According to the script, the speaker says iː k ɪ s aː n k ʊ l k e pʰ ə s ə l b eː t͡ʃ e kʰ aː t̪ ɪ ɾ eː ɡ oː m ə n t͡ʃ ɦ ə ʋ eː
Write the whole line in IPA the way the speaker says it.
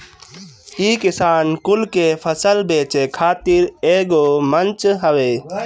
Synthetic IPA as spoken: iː k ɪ s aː n k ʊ l k e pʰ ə s ə l b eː t͡ʃ e kʰ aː t̪ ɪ ɾ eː ɡ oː m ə n t͡ʃ ɦ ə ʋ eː